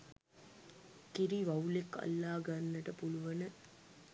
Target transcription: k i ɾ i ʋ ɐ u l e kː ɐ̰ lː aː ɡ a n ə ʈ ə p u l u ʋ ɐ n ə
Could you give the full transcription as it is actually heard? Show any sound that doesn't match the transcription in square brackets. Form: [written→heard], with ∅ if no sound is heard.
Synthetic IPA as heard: k i ɾ i ʋ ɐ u l e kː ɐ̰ lː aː ɡ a [n→nː] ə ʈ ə p u l u ʋ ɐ n ə